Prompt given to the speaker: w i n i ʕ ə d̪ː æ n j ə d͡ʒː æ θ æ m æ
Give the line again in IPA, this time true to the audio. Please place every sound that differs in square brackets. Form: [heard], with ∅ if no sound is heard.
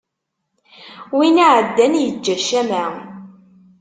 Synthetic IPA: w i n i ʕ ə d̪ː æ n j ə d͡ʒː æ [ʃ] æ m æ